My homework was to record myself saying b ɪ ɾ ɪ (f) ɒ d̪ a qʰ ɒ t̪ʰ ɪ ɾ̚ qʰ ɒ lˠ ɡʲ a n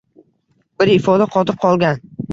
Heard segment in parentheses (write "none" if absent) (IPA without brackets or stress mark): f